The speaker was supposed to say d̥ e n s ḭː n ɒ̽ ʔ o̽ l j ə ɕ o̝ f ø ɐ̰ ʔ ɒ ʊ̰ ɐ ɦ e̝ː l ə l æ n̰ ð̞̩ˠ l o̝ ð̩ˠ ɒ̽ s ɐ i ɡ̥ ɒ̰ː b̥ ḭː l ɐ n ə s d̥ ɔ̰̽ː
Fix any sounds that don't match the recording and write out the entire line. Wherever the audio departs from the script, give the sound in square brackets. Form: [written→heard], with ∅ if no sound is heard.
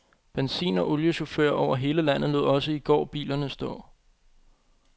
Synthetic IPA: [d̥→b̥] e n s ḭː n ɒ̽ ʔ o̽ l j ə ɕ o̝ f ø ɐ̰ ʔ ɒ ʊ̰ ɐ ɦ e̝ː l ə l æ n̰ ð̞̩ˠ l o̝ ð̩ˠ ɒ̽ s [ɐ→ə] i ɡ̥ ɒ̰ː b̥ ḭː l ɐ n ə s d̥ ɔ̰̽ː